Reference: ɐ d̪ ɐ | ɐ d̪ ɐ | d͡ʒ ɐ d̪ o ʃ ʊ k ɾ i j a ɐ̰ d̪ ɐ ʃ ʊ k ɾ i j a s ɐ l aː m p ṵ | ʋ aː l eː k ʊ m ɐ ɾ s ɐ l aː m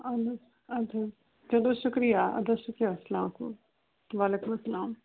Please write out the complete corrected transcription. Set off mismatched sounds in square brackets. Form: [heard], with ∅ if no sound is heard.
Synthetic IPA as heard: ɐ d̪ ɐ | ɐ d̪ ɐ | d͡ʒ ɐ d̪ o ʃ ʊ k ɾ i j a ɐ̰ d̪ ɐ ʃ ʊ k ɾ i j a s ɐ l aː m [k] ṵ | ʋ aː l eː k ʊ m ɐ [∅] s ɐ l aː m